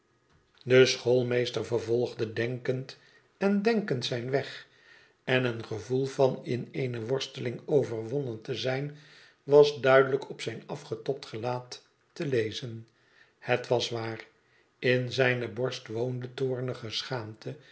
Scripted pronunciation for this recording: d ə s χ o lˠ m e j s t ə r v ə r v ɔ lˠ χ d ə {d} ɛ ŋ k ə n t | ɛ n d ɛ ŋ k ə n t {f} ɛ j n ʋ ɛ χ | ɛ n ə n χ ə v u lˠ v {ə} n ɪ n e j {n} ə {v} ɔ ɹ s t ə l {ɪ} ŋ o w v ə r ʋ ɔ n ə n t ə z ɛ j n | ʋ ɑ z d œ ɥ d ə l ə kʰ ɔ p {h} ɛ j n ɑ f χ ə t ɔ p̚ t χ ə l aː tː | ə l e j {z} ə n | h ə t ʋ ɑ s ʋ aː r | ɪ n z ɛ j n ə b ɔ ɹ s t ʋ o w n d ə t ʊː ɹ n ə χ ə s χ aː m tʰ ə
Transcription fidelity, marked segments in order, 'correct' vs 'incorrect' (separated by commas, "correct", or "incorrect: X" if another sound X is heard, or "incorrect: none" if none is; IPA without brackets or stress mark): correct, incorrect: s, incorrect: ɑ, correct, incorrect: ʋ, correct, incorrect: s, correct